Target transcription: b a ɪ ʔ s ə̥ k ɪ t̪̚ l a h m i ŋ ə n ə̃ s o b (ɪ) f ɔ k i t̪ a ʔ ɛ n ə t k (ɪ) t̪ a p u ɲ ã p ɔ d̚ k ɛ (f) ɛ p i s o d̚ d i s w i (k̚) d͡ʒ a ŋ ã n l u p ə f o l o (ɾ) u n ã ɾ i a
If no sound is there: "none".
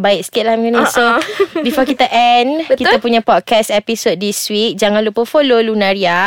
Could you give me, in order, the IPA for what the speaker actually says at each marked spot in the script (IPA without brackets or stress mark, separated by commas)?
i, i, s, k̚, l